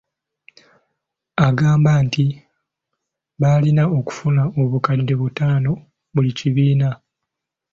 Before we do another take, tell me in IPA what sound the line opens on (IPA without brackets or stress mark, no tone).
a